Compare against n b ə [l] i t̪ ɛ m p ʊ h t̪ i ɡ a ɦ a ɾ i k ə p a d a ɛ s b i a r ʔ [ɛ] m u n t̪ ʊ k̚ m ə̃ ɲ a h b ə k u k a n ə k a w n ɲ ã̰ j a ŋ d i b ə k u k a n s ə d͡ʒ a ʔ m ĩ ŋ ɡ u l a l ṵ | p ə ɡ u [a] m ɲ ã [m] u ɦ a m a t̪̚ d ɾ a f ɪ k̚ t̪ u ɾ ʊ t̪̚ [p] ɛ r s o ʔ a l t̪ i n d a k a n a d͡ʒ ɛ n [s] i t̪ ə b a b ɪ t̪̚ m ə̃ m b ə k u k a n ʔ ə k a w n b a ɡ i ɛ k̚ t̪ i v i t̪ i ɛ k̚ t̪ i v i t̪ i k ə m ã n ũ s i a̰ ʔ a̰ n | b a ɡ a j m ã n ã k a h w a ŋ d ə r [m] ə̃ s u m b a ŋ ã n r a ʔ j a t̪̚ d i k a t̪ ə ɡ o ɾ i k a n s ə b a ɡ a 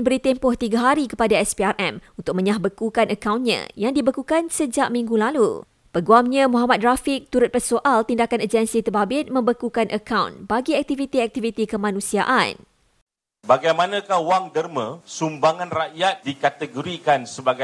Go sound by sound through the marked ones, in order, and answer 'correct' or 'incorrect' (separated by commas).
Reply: incorrect, correct, correct, correct, correct, correct, correct